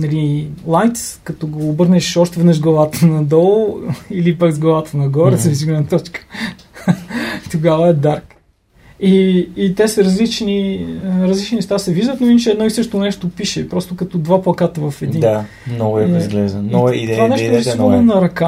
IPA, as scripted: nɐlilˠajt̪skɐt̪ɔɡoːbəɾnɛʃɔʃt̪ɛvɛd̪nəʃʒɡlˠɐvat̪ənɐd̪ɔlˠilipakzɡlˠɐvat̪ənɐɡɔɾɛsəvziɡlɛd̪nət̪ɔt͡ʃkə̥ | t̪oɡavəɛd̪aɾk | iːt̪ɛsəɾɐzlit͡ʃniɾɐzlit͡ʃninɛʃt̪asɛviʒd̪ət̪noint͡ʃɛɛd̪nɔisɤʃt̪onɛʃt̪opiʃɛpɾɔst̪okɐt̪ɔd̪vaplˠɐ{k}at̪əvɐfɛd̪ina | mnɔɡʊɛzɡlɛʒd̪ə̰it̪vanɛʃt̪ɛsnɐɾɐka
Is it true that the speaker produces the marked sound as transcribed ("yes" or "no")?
yes